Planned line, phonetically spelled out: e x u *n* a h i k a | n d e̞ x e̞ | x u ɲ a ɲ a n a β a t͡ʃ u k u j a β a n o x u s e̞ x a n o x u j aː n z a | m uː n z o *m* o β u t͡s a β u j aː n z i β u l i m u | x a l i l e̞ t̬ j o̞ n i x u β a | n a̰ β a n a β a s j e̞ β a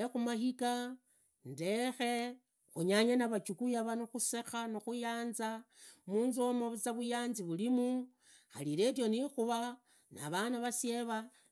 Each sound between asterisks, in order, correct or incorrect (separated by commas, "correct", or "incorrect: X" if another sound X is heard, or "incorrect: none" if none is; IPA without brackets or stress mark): incorrect: m, correct